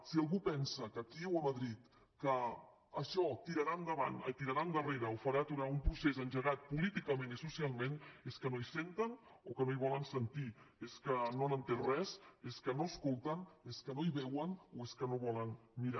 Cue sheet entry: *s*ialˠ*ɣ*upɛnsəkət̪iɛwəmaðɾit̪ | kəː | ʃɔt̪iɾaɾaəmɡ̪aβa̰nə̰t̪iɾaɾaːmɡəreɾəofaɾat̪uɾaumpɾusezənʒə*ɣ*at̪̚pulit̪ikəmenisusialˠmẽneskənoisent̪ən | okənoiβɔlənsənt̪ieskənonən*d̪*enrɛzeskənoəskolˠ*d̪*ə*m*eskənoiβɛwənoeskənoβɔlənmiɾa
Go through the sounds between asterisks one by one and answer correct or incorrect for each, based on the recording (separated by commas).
correct, correct, correct, incorrect, incorrect, incorrect